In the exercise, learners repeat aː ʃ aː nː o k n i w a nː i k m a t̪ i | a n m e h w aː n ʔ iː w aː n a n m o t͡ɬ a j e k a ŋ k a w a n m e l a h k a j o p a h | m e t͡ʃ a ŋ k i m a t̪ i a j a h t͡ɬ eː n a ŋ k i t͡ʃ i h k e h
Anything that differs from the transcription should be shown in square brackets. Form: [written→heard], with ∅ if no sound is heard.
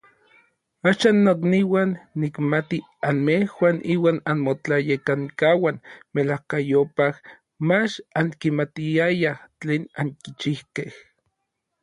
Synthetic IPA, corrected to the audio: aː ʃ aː nː o k n i w a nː i k m a t̪ i | a n m e h w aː n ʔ iː w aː n a n m o t͡ɬ a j e k a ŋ k a w a n m e l a h k a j o p a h | m [e→a] t͡ʃ a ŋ k i m a t̪ i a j a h t͡ɬ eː n a ŋ k i t͡ʃ i h k e h